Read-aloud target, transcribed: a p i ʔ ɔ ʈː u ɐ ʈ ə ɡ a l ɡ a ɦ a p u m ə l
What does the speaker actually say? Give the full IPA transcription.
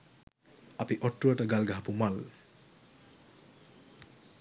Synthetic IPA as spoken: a p i ʔ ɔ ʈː u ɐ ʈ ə ɡ a l ɡ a ɦ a p u m a l